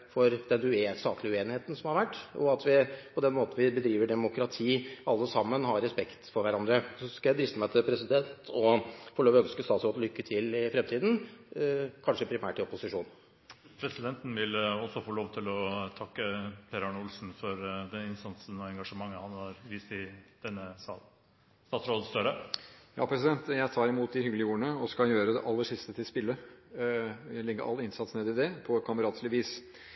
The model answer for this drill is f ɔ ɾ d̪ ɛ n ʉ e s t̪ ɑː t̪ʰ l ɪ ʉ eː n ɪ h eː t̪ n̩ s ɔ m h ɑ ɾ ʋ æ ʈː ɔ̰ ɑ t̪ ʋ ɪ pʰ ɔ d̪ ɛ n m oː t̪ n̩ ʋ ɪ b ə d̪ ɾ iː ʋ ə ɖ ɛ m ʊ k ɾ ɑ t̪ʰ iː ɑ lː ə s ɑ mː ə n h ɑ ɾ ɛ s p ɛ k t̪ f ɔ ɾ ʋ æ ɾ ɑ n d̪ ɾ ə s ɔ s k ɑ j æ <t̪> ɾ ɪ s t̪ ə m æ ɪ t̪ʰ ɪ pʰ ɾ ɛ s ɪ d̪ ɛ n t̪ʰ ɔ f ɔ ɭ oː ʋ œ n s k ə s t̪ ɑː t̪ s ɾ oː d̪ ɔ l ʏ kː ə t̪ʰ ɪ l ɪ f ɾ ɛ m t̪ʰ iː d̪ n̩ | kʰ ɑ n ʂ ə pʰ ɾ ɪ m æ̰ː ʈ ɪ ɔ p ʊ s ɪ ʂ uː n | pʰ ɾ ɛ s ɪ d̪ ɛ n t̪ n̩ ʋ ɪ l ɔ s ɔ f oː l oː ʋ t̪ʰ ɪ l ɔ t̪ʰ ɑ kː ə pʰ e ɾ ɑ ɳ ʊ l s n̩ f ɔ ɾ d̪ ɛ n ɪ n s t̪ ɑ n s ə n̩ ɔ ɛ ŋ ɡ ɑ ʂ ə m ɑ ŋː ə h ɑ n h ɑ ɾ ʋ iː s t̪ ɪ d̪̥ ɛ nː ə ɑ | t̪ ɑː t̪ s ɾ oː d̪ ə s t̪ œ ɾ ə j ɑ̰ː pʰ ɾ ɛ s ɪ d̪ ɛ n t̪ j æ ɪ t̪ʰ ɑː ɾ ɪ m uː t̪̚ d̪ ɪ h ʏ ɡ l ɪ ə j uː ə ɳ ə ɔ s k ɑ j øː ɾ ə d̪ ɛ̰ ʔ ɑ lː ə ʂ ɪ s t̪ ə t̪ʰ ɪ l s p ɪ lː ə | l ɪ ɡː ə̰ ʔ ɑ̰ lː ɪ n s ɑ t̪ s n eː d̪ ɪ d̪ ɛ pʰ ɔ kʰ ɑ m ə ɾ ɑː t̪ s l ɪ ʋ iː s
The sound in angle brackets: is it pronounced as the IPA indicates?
no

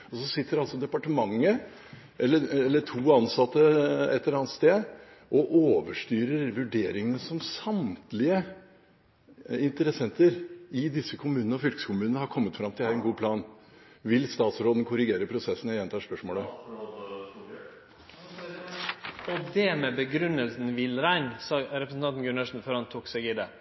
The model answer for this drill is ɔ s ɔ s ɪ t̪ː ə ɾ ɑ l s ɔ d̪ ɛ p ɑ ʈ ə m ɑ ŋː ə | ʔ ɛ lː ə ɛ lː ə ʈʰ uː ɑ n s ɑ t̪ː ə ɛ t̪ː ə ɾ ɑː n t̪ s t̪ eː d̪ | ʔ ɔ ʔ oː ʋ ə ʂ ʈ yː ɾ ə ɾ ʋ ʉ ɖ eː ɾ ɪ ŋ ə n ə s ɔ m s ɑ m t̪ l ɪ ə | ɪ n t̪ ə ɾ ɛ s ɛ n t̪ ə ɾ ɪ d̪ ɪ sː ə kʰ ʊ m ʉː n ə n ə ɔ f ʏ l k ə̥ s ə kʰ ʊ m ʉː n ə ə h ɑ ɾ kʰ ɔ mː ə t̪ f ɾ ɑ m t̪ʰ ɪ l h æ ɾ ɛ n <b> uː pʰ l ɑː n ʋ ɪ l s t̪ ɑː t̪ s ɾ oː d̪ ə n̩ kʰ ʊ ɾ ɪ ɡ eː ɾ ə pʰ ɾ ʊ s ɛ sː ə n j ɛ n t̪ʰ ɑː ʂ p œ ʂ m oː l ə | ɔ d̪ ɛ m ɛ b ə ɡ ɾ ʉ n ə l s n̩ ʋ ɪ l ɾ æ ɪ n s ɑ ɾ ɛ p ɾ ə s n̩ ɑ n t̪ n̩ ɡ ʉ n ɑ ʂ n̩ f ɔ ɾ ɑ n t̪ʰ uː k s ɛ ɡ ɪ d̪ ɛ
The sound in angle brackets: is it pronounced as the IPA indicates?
no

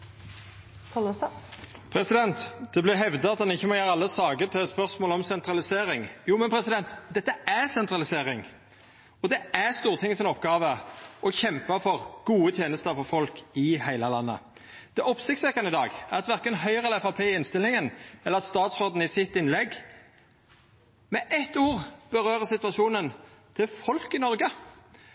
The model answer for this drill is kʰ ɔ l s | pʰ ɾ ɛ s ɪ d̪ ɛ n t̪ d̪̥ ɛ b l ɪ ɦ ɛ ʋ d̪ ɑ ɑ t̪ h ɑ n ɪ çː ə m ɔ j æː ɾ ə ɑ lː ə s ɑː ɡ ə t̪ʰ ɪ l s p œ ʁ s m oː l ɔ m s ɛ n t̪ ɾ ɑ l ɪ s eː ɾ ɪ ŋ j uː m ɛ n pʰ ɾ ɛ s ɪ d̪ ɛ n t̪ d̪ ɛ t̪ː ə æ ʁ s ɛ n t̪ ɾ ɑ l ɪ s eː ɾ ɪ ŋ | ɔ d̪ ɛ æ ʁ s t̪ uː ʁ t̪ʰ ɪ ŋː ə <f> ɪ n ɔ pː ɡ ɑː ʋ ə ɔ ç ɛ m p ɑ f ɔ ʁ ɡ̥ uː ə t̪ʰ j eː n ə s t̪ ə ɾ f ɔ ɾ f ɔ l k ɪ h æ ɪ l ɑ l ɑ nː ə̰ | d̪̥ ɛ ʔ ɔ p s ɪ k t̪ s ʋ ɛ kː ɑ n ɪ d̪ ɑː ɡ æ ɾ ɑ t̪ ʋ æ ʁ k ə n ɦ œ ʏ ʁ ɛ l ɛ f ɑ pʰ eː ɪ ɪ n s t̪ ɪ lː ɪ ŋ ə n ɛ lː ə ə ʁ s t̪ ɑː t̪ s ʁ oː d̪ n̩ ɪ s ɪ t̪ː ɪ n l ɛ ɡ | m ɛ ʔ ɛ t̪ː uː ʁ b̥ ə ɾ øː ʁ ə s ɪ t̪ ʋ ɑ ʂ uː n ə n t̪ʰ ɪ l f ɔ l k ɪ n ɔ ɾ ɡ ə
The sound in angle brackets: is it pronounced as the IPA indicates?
no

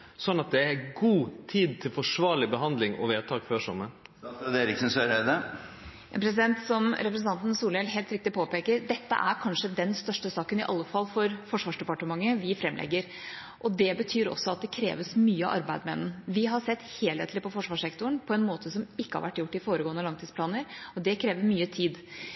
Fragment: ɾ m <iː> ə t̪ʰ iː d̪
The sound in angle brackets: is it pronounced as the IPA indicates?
no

